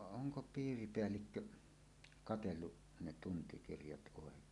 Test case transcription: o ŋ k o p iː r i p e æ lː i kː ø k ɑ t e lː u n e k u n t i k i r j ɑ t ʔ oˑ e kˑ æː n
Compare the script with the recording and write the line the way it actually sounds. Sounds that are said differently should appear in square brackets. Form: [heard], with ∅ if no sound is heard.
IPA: o ŋ k o p iː r i p e æ lː i kː ø k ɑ t e lː u n e [t] u n t i k i r j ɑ t ʔ oˑ e kˑ [eː] n